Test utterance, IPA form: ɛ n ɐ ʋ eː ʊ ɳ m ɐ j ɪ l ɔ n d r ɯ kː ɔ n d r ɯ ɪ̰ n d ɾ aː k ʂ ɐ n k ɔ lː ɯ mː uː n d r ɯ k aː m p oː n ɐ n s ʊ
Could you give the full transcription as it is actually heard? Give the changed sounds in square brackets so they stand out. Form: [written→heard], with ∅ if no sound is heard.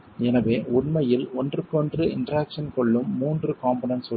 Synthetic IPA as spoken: ɛ n ɐ ʋ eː ʊ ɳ m ɐ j ɪ l ɔ n d r ɯ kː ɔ n d r ɯ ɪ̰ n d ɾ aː k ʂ ɐ n k ɔ [lː→ɭː] ɯ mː uː n d r ɯ k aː m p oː n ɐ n s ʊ